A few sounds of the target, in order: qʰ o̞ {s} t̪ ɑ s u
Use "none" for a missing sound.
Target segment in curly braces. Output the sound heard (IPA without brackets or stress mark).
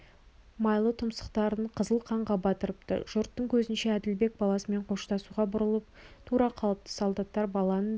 ʃ